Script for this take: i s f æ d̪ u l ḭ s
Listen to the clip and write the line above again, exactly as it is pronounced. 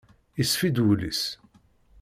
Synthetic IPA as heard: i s f i d̪ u l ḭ s